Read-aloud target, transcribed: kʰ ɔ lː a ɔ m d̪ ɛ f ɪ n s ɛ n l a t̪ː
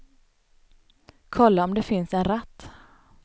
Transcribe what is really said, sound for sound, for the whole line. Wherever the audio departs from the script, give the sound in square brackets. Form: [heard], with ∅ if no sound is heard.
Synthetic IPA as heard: kʰ ɔ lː a ɔ m d̪ ɛ f ɪ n s ɛ n [ɾ] a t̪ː